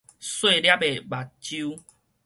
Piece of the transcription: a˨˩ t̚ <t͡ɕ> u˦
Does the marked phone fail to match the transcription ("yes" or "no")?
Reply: no